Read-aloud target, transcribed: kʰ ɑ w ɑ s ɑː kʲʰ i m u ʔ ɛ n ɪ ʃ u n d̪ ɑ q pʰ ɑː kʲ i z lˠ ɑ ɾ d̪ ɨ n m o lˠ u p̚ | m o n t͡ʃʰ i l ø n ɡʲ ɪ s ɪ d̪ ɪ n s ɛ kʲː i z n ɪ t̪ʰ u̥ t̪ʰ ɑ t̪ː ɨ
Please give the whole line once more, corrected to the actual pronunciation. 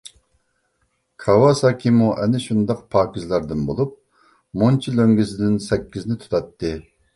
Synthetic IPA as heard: kʰ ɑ w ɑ s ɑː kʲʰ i m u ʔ ɛ n ɪ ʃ u n d̪ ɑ q pʰ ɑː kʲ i z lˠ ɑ ɾ d̪ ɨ n b o lˠ u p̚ | m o n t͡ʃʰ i l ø ŋ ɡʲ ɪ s ɪ d̪ ɪ n s ɛ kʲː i z n ɪ t̪ʰ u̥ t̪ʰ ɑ t̪ː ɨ